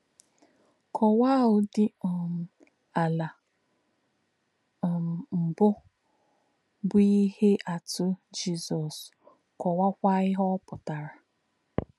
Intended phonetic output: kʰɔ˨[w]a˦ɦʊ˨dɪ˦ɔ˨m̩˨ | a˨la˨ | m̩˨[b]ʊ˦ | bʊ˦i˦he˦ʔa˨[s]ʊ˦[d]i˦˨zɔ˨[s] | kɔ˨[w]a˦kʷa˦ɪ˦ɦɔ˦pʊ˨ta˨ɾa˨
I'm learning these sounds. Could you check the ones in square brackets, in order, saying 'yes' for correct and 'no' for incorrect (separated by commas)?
yes, yes, no, no, yes, yes